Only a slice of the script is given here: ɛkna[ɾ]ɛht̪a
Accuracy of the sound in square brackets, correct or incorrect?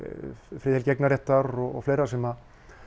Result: correct